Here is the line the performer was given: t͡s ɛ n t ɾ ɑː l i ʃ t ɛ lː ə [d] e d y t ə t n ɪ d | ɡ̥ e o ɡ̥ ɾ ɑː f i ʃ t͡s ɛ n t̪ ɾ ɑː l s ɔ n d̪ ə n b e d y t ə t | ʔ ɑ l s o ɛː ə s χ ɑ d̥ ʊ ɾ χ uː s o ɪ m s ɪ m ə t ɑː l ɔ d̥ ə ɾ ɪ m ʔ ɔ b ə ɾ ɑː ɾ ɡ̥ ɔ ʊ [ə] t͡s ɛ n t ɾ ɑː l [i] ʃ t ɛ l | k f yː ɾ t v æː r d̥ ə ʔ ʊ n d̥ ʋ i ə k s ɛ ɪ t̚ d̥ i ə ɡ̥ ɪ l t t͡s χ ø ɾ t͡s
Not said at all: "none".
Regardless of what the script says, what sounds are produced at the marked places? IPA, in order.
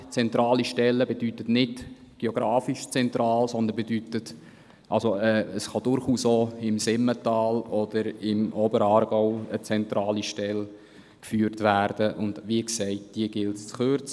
b, ə, i

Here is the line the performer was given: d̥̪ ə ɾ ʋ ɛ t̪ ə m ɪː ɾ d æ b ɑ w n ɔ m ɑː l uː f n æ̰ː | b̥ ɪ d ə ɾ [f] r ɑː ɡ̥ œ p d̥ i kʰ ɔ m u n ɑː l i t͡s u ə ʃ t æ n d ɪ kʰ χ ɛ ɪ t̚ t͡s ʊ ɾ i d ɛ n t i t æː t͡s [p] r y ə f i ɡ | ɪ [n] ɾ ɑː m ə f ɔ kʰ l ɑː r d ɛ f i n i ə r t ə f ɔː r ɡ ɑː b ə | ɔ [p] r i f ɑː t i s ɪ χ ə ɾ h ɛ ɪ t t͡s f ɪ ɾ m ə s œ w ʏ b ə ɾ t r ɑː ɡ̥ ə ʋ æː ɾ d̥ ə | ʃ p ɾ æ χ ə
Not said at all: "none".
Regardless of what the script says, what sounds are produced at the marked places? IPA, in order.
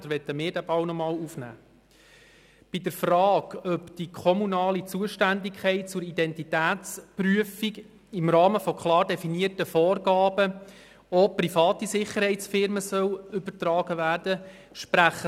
f, p, m, p

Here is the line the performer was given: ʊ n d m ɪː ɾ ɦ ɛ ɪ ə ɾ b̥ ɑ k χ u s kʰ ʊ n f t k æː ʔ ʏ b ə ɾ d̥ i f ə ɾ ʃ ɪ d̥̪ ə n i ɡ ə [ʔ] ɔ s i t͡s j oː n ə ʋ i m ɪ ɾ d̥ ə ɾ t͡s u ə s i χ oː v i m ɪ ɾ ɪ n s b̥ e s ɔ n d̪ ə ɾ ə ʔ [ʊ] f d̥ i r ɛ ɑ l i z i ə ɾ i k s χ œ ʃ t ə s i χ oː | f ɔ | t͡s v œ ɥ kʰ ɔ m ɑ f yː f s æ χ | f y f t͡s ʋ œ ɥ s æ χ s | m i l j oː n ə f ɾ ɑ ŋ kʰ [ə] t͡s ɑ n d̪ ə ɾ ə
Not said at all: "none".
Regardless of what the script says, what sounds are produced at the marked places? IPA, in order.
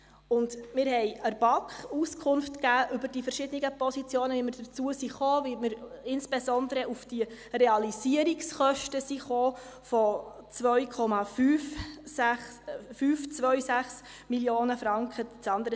p, u, ə

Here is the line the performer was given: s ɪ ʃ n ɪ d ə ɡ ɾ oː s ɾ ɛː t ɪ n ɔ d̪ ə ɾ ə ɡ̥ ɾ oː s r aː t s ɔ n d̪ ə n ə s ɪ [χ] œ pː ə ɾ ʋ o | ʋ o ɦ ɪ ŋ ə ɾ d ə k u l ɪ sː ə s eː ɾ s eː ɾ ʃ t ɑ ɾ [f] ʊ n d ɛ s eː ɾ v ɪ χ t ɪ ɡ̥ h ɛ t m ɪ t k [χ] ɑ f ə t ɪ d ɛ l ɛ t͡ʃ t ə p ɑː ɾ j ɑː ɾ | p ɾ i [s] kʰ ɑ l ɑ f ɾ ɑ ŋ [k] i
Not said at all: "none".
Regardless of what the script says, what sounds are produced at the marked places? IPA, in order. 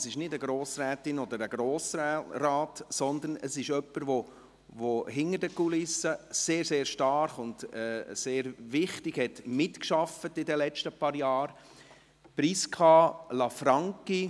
ʃ, χ, ʃ, s, k

